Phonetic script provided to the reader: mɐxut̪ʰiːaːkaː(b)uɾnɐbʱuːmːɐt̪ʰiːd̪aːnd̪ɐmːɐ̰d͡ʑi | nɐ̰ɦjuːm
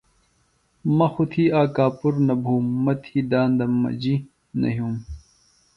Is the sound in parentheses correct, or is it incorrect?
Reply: incorrect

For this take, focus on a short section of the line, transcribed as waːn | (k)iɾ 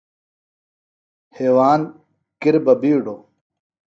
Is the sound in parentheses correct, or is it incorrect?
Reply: correct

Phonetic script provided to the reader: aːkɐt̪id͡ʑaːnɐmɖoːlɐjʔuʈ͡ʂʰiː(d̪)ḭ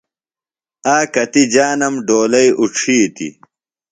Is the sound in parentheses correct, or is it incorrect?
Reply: incorrect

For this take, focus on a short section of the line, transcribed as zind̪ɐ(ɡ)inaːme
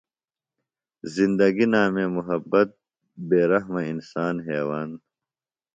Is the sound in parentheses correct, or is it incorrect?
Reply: correct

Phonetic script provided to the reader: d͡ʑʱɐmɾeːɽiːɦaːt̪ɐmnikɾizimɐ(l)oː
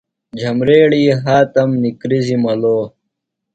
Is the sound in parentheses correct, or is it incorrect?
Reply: correct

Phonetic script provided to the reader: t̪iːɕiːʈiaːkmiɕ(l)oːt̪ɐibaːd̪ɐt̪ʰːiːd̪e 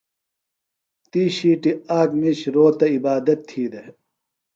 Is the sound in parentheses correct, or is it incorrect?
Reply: incorrect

